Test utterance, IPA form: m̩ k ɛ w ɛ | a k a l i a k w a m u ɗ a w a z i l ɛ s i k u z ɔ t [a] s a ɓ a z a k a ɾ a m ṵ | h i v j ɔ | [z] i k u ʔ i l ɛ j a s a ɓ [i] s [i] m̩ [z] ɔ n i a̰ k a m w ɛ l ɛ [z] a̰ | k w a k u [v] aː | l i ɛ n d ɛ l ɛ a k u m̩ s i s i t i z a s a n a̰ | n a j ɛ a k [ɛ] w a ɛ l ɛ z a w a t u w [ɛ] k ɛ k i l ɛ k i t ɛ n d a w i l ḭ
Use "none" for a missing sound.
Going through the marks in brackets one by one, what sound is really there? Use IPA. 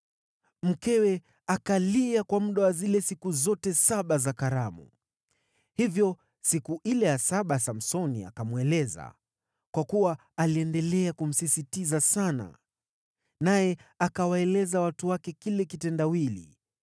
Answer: ɛ, s, a, a, s, z, w, a, a

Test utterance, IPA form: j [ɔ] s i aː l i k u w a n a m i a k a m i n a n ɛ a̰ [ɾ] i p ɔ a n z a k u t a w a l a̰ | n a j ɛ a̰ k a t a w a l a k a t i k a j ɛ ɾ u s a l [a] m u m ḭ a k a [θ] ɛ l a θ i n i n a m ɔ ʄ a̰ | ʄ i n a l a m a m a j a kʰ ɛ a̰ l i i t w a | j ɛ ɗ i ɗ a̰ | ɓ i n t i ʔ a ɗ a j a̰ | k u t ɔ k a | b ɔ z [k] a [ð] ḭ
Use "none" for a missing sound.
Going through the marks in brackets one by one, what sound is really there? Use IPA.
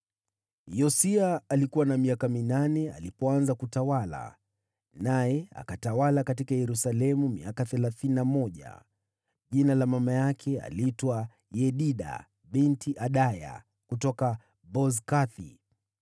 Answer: ɔ, l, ɛ, θ, k, θ

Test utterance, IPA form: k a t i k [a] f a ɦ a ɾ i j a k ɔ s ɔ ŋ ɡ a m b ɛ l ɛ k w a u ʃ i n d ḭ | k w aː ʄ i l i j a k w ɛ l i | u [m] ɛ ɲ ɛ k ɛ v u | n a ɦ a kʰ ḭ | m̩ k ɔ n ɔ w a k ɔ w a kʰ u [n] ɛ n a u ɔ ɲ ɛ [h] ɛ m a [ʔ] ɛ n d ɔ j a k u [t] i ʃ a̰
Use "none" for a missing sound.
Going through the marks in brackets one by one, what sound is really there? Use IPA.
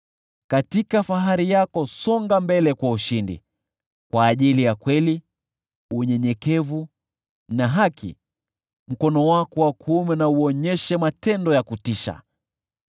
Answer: a, ɲ, m, ʃ, t, t

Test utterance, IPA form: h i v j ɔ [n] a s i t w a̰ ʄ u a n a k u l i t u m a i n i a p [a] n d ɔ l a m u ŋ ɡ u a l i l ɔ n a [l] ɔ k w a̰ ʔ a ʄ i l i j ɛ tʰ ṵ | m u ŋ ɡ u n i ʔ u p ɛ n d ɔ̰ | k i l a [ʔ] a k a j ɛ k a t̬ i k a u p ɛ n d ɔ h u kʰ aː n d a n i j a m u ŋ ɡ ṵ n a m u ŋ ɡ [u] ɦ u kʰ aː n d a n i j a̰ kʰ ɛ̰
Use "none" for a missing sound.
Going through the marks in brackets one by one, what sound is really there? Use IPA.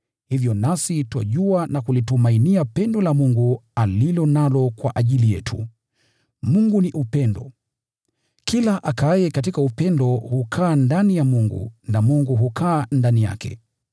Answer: n, ɛ, l, ʔ, u

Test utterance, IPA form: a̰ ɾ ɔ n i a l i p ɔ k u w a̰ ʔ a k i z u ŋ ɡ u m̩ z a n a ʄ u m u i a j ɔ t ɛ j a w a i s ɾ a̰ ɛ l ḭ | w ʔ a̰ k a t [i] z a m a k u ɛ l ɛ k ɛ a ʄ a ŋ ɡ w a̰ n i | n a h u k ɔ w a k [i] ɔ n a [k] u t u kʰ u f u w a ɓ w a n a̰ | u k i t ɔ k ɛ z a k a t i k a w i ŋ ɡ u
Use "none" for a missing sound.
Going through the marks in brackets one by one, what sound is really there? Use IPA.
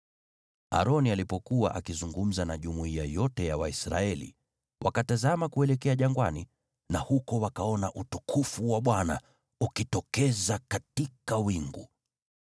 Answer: a, a, ʔ

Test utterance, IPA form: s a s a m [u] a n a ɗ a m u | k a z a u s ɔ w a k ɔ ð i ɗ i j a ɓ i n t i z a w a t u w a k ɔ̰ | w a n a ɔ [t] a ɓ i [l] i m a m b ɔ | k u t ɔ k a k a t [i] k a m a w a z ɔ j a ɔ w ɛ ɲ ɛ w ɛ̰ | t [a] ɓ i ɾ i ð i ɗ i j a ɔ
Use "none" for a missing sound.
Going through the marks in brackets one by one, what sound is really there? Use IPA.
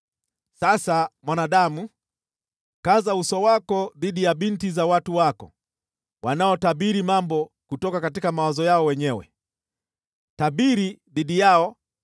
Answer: w, t, ɾ, i, a

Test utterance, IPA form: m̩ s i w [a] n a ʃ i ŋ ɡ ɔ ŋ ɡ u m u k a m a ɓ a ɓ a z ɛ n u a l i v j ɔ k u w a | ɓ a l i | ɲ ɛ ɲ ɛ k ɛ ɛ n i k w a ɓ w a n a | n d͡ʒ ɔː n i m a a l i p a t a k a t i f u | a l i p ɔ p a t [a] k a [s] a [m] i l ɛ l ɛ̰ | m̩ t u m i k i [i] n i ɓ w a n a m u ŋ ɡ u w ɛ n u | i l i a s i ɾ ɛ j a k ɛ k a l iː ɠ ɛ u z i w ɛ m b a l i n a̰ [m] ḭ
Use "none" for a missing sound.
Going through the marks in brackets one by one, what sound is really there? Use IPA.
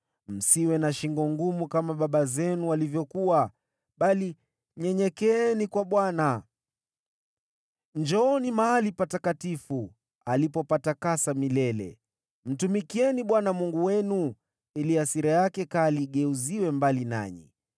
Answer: ɛ, a, s, m, ɛ, ɲ

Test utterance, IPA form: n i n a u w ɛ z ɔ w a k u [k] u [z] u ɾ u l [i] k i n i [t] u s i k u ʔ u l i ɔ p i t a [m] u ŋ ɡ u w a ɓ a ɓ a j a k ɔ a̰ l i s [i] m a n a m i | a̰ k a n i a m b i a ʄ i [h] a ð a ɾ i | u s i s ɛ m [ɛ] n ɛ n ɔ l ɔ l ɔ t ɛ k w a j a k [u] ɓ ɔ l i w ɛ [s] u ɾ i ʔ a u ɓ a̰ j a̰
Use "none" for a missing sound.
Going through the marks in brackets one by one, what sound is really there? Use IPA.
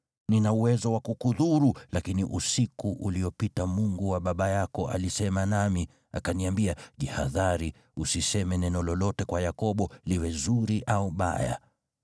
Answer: k, ð, a, ʔ, m, ɛ, h, ɛ, ɔ, z

